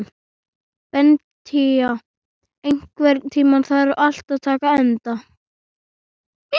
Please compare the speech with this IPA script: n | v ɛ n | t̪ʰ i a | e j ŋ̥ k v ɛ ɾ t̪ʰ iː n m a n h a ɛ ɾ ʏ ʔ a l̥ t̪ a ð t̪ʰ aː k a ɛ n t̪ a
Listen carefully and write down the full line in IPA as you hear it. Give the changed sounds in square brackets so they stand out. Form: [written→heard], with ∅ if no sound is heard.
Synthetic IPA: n | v ɛ n | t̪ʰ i a | e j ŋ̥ k v ɛ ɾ t̪ʰ iː [n→∅] m a n [h→θ] a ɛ ɾ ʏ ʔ a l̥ t̪ a ð t̪ʰ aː k a ɛ n t̪ a